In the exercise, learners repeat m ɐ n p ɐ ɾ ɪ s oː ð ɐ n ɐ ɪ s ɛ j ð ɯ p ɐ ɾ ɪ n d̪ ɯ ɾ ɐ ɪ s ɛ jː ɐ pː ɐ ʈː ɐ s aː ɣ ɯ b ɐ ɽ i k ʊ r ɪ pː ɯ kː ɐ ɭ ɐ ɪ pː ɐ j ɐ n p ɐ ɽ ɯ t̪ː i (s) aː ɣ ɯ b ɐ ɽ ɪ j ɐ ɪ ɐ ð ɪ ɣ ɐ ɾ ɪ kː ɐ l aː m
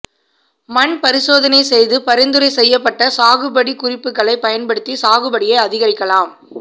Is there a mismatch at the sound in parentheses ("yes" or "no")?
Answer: no